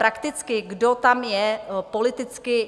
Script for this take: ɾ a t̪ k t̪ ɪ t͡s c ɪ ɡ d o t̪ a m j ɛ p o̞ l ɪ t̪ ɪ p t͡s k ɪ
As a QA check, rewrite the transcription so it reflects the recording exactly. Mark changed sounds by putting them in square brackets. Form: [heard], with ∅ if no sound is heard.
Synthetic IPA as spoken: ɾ a [∅] k t̪ ɪ t͡s [k] ɪ ɡ d o t̪ a m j ɛ p o̞ l ɪ t̪ ɪ [∅] t͡s k ɪ